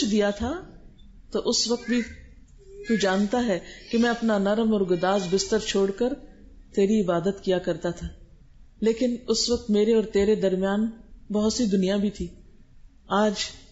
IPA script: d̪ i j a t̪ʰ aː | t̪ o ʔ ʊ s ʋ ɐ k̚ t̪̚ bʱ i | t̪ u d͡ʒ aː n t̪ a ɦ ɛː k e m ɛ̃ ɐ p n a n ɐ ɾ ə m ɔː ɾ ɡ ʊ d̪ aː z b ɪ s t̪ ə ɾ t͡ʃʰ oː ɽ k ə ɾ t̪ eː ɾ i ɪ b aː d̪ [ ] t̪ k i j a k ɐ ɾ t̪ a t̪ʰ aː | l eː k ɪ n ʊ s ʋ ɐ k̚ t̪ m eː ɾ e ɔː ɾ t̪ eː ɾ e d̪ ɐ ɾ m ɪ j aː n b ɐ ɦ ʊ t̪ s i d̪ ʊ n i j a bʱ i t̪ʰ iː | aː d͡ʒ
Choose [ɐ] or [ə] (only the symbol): ə